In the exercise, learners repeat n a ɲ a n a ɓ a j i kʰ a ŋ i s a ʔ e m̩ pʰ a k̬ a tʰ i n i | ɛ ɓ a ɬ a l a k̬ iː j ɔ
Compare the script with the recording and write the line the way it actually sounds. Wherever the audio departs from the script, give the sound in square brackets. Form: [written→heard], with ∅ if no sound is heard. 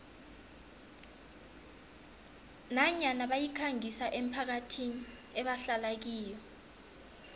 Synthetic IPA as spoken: n a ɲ a n a ɓ a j i kʰ a ŋ i s a ʔ e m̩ pʰ a k̬ a tʰ i n i | ɛ ɓ a ɬ a l a k̬ iː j ɔ